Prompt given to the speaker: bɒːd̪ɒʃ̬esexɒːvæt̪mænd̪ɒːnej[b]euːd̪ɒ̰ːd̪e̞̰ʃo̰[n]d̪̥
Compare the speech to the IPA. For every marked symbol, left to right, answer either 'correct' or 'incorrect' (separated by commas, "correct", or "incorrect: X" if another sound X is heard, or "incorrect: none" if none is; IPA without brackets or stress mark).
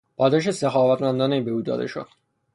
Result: correct, incorrect: none